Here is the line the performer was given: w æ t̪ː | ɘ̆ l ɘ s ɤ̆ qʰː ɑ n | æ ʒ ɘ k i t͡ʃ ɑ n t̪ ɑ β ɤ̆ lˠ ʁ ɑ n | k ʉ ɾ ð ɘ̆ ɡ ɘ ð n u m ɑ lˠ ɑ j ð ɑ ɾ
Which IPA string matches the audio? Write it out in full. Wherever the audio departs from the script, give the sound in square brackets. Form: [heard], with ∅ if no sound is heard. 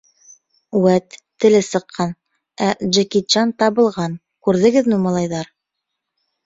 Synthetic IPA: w æ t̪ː | ɘ̆ l ɘ s ɤ̆ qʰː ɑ n | æ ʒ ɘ k i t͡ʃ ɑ n t̪ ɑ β ɤ̆ lˠ ʁ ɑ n | k ʉ ɾ ð ɘ̆ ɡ ɘ ð n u m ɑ lˠ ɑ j ð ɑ ɾ